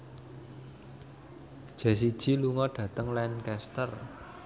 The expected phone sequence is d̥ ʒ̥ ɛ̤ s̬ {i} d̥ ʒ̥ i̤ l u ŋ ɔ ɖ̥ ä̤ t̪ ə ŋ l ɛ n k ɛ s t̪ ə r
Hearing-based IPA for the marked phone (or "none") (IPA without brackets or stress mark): i